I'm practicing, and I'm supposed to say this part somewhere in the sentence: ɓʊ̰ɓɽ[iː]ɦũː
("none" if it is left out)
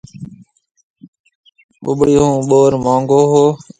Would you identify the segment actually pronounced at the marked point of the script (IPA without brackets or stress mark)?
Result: iː